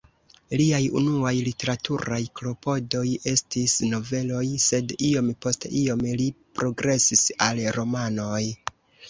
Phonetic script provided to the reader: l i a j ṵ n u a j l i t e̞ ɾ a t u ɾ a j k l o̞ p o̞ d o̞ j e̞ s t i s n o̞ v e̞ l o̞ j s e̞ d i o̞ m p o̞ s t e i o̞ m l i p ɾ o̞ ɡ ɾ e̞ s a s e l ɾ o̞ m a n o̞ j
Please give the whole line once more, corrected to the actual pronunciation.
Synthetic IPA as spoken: l i a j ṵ n u a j l i t e̞ ɾ a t u ɾ a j k l o̞ p o̞ d o̞ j e̞ s t i s n o̞ v e̞ l o̞ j s e̞ d i o̞ m p o̞ s t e i o̞ m l i p ɾ o̞ ɡ ɾ e̞ s i s a l ɾ o̞ m a n o̞ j